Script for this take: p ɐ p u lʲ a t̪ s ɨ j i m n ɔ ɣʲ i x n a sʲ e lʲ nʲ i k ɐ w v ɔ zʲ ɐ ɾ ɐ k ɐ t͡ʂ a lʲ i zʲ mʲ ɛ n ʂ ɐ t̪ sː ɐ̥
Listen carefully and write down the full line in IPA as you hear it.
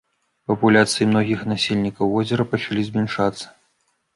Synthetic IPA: p ɐ p u lʲ a t̪ s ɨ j i m n ɔ ɣʲ i x n a sʲ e lʲ nʲ i k ɐ w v ɔ zʲ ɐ ɾ ɐ p ɐ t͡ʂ a lʲ i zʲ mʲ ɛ n ʂ a t̪ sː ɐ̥